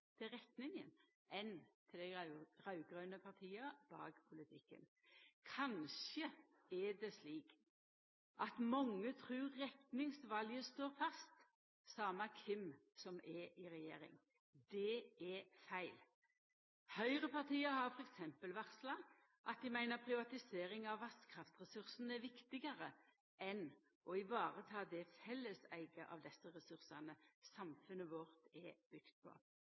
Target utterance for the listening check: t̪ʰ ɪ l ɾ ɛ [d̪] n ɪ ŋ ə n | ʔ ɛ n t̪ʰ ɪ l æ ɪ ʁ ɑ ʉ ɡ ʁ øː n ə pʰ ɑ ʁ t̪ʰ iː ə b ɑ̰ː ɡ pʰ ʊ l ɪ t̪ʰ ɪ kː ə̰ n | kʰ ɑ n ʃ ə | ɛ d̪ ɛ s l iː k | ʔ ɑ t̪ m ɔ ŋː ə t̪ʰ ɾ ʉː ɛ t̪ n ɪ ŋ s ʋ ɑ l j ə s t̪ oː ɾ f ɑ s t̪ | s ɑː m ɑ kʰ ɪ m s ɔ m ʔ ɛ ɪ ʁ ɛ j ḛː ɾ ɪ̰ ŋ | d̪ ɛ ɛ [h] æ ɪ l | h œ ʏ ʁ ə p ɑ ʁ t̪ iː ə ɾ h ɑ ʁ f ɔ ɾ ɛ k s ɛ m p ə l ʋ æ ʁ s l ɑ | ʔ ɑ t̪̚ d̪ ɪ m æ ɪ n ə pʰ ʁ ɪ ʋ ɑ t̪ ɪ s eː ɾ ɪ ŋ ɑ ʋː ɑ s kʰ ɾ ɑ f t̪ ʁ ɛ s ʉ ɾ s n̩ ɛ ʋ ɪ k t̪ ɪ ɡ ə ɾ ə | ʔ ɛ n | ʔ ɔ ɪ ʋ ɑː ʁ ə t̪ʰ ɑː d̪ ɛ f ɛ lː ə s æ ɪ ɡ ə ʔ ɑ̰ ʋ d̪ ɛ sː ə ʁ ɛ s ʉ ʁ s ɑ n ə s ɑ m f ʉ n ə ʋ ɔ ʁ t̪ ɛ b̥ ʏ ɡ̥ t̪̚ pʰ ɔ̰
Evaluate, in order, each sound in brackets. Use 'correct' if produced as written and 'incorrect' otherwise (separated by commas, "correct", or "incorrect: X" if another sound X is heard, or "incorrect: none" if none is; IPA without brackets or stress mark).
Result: incorrect: t̪, incorrect: f